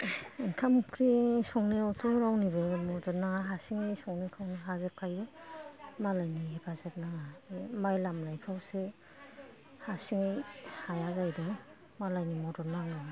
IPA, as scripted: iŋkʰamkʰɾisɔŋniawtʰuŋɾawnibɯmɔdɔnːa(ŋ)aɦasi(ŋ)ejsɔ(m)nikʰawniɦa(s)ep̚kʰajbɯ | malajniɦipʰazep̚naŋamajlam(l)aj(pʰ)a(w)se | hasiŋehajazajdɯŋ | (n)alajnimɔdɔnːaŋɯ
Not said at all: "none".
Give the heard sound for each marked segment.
ŋ, ŋ, ŋ, z, l, pʰ, w, m

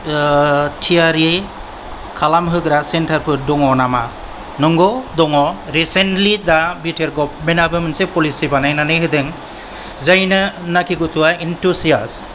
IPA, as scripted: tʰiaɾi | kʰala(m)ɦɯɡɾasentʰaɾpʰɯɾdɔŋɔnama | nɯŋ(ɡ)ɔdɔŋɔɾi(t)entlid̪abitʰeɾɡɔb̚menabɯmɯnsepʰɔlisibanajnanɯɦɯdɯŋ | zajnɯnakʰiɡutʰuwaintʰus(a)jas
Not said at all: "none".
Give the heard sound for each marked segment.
m, ɡ, s, i

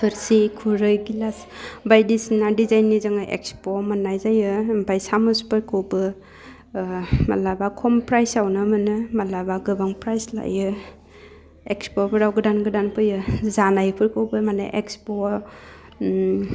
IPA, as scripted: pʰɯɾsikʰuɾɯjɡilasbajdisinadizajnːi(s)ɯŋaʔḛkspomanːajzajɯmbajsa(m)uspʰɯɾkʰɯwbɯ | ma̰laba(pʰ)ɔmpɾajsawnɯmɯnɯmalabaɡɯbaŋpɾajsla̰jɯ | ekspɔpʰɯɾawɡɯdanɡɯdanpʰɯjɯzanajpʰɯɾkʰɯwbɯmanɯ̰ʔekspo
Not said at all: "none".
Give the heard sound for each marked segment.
z, m, kʰ

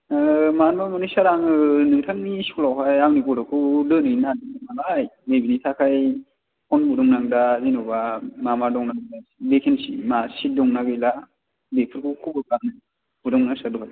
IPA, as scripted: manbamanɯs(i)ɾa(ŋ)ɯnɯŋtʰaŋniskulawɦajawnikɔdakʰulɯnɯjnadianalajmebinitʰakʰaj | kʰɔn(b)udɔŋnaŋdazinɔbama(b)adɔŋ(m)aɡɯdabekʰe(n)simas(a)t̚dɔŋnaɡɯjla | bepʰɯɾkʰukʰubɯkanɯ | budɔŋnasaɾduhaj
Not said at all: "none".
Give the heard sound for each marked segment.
a, ŋ, b, m, n, n, i

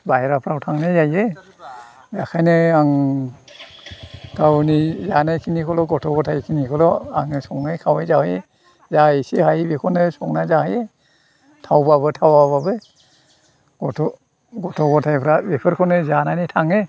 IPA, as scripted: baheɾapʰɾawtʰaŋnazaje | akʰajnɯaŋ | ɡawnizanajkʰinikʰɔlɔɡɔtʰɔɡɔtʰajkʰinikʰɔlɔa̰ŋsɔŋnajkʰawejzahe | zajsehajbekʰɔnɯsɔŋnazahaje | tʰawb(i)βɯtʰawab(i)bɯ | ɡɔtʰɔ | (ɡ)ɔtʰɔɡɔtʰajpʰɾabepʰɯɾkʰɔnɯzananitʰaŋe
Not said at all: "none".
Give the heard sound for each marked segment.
a, a, ɡ

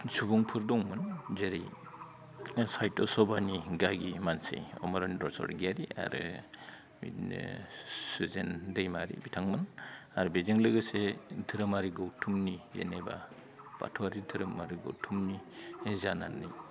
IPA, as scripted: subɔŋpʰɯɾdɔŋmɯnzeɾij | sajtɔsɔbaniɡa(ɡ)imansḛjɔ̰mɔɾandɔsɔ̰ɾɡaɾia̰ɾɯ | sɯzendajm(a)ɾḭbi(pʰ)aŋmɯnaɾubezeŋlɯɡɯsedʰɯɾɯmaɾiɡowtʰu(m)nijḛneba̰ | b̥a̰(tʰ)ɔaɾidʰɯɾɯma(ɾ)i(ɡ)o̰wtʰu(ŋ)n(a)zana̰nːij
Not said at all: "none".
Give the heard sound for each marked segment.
ɡ, a, tʰ, m, tʰ, ɾ, ɡ, m, i

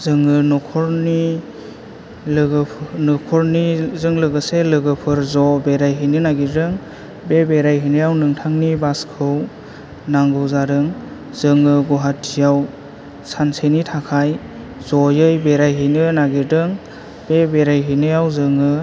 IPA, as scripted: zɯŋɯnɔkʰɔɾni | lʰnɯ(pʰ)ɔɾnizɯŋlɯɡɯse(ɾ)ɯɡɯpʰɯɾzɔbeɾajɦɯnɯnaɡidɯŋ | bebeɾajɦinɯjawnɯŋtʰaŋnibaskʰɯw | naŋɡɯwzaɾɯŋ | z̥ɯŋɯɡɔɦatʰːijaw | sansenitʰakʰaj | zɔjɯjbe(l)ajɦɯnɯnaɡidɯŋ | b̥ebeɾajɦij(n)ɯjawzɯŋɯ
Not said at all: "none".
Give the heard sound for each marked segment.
kʰ, l, ɾ, n

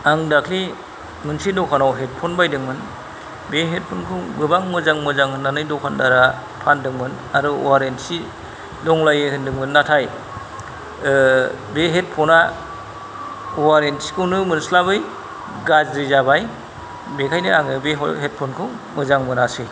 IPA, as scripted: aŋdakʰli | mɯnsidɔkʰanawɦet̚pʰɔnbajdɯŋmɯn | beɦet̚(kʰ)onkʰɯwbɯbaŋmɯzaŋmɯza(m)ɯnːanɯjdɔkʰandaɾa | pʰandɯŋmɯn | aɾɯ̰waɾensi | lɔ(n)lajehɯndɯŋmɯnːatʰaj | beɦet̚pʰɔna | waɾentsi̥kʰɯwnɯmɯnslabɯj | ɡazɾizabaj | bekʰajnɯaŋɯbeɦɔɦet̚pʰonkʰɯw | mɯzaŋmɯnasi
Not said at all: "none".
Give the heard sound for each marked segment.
pʰ, ŋ, ŋ

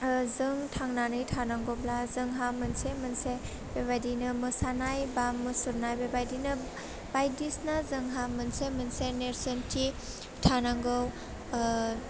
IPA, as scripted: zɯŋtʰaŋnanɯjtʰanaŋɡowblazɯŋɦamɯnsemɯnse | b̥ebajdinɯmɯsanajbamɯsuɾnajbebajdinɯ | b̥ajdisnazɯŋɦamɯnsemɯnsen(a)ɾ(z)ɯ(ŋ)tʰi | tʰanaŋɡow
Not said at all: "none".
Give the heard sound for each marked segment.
e, s, n

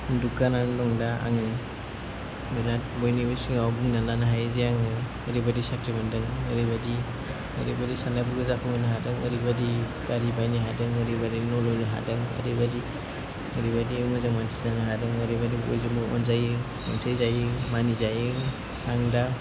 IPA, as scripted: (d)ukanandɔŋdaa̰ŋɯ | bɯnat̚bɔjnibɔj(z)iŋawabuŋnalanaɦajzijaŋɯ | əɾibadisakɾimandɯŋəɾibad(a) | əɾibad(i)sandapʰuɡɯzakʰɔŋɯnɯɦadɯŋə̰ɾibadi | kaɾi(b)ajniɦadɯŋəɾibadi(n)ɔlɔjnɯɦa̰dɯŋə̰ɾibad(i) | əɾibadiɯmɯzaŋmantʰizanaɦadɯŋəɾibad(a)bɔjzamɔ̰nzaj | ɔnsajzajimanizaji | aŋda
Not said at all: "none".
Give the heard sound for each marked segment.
d, s, i, i, b, n, i, i

